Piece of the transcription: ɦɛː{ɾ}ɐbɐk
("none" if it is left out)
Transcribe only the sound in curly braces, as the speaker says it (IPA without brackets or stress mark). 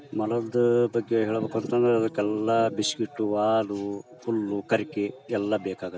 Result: ɭ